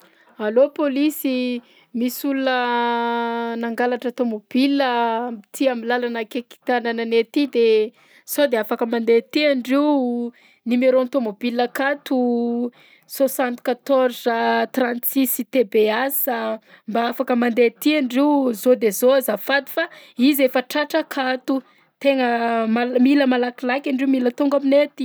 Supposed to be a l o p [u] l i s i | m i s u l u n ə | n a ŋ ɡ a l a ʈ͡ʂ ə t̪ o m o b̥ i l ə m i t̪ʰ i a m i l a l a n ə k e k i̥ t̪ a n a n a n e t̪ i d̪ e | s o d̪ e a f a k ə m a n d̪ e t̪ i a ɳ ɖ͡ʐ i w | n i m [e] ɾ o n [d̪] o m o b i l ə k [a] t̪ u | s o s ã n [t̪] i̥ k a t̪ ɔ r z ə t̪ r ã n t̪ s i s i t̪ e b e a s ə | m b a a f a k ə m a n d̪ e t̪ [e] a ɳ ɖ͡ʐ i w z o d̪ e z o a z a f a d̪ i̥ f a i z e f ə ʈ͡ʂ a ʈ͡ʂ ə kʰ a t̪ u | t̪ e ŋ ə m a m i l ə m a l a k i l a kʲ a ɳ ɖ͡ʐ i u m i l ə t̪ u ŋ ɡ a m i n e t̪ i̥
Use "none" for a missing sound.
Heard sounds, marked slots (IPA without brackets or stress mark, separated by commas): o, e, t̪, a, t̪, i